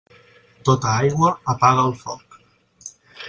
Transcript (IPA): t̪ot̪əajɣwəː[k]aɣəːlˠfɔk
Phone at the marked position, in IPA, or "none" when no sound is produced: p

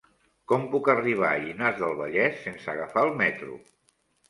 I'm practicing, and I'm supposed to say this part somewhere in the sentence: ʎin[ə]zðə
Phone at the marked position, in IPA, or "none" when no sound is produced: a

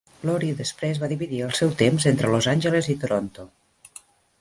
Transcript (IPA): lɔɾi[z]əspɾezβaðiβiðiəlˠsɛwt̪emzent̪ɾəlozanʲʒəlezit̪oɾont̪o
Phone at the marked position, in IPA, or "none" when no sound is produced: ð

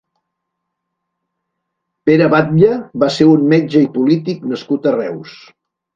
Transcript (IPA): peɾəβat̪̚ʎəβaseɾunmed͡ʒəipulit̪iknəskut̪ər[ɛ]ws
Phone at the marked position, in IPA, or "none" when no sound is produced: ɛ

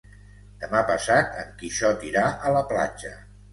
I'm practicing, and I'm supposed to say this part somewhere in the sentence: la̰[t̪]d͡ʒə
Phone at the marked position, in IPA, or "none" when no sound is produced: none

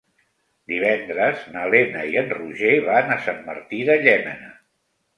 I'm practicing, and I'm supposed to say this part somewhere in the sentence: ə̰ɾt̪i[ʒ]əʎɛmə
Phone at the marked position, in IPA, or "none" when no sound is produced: ð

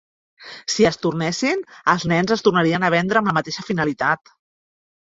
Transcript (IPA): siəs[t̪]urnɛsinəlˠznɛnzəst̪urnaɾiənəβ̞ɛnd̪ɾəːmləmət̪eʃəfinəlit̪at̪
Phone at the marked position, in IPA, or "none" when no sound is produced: t̪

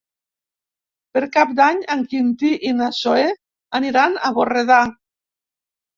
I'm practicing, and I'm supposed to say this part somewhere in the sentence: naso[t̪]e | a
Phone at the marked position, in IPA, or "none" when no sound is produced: none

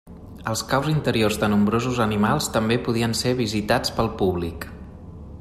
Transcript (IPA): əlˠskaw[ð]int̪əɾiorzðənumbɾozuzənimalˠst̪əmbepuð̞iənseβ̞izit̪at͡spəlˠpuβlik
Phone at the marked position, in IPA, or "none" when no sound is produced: z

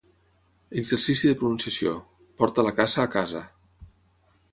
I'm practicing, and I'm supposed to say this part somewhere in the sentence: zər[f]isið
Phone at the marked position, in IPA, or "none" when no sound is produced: s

